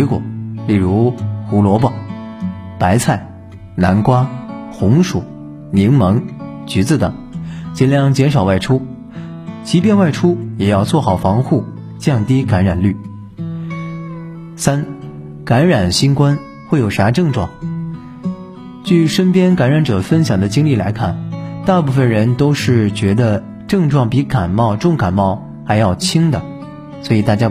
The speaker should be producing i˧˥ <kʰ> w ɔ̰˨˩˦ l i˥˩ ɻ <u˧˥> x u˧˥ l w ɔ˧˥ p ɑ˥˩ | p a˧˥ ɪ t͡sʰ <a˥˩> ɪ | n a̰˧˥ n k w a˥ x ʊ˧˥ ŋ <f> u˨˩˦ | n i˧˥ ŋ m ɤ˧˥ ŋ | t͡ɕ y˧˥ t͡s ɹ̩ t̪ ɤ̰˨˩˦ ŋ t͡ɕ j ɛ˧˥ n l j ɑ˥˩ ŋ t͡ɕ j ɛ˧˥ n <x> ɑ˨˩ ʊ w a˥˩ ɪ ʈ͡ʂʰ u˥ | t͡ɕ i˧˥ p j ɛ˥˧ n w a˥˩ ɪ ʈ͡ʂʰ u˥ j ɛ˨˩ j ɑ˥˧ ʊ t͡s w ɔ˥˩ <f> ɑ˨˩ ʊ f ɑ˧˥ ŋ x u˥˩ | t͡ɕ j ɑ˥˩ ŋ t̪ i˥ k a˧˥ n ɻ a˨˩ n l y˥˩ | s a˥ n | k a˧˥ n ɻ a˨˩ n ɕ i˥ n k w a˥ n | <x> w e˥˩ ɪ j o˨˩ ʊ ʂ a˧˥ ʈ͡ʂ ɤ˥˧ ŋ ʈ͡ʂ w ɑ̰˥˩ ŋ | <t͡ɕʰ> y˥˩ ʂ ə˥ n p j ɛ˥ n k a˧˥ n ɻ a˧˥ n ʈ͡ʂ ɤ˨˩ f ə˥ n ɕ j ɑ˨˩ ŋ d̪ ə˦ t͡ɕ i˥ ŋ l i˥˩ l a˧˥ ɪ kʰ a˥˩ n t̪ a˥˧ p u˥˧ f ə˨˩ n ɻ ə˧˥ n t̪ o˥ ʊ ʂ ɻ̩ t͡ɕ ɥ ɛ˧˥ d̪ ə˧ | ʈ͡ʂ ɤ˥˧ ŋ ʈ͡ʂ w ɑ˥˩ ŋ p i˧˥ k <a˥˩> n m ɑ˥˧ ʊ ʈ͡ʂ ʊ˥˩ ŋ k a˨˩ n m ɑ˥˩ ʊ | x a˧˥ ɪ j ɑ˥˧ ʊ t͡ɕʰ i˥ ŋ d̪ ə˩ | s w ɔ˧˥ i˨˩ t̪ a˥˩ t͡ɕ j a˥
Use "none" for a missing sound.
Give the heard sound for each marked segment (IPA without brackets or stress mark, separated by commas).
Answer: k, u˧˥, a˥˩, ʂ, ʂ, x, x, t͡ɕ, a˨˩